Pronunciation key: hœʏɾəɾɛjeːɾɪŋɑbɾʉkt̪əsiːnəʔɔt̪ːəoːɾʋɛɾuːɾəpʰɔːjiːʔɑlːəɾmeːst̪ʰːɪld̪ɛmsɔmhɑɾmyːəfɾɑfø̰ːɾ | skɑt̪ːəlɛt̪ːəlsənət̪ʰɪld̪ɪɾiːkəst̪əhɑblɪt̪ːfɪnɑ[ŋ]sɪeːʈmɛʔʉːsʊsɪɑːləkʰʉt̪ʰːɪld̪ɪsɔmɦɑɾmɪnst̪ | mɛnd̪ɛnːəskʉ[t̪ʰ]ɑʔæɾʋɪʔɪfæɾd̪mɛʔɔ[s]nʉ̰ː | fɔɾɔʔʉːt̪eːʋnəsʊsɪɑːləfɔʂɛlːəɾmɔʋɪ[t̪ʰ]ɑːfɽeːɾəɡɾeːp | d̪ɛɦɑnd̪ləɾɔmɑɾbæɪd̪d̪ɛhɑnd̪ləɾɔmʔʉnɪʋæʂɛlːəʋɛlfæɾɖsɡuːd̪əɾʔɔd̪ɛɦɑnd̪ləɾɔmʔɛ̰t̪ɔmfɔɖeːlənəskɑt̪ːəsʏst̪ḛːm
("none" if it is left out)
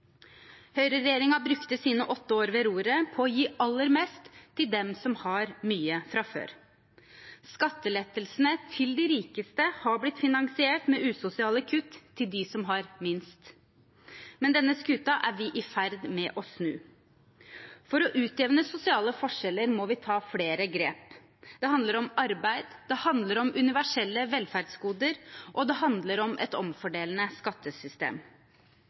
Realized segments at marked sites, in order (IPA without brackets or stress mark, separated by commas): ŋ, t̪, s, t̪ʰ